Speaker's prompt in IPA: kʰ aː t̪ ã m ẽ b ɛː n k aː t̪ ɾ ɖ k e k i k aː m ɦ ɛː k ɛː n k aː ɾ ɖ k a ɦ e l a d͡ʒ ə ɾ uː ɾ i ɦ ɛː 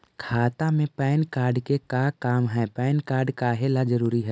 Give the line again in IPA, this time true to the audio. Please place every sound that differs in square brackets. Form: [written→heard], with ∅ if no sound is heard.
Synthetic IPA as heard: kʰ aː t̪ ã m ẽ [b→p] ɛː n k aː [t̪→∅] ɾ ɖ k e k [i→a] k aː m ɦ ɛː [k→p] ɛː n k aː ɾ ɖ k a ɦ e l a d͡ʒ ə ɾ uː ɾ i ɦ ɛː